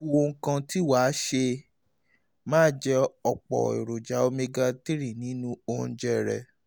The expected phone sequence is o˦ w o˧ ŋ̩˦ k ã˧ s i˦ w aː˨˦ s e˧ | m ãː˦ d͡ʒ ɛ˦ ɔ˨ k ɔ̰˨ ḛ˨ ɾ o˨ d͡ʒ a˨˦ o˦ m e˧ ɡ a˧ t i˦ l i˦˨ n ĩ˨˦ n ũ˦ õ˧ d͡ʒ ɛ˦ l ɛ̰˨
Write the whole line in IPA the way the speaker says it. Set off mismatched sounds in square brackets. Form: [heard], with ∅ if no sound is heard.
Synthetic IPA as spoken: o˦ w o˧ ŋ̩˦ k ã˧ [t] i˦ w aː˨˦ [ʃ] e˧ | m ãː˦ d͡ʒ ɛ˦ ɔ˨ [k͡p] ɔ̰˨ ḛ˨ ɾ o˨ d͡ʒ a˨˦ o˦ m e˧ ɡ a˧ t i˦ [ɾ] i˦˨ n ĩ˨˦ n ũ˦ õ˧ d͡ʒ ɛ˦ [ɾ] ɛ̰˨